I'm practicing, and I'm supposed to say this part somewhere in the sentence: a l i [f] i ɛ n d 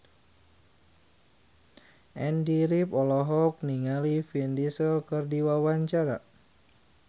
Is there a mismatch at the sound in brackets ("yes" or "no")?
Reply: no